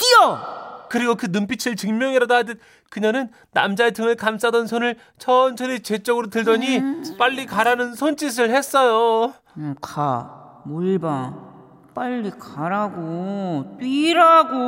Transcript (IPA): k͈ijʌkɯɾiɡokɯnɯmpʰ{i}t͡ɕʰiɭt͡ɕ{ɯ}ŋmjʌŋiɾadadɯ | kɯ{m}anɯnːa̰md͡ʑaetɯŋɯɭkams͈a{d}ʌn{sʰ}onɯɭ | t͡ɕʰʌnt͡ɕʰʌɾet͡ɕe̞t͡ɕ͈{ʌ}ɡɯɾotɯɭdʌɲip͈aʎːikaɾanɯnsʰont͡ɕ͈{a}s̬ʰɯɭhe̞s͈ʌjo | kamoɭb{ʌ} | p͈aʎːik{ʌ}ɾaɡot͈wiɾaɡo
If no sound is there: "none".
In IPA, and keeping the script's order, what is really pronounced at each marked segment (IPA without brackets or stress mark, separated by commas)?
i, ɯ, ɲ, d, sʰ, ʌ, i, a, a